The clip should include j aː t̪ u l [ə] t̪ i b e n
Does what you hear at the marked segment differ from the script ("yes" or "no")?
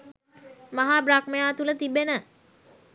no